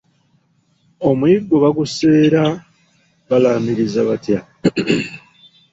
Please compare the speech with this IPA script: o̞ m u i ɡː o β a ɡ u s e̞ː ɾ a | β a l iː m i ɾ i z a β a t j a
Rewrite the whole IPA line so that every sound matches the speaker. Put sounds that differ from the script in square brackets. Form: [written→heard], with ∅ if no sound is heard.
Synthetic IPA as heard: o̞ m u i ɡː o β a ɡ u s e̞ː ɾ a | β a l [iː→aː] m i ɾ i z a β a t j a